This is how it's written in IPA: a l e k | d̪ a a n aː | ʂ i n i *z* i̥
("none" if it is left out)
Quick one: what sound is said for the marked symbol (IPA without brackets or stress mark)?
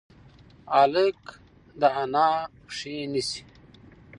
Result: s